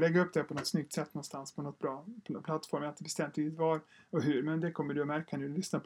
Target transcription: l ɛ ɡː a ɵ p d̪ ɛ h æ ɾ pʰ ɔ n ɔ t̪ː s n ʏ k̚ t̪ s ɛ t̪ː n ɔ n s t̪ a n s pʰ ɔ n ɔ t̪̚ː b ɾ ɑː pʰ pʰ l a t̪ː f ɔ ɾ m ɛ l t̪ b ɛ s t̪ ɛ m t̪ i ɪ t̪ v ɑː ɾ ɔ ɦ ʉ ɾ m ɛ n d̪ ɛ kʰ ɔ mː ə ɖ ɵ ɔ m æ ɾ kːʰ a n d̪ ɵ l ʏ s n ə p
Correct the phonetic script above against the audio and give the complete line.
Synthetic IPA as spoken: l ɛ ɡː a ɵ p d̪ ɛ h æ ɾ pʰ ɔ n ɔ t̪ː s n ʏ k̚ t̪ s ɛ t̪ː n ɔ n s t̪ a n s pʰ ɔ n ɔ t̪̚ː b ɾ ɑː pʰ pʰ l a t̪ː f ɔ ɾ m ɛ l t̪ b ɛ s t̪ ɛ m t̪ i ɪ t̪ v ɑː ɾ ɔ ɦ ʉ ɾ m ɛ n d̪ ɛ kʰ ɔ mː ə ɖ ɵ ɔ m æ ɾ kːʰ a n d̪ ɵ l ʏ s n a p